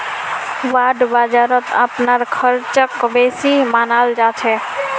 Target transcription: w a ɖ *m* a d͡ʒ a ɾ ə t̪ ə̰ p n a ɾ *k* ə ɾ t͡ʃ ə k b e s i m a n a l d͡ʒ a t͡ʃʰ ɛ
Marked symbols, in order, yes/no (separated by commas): no, no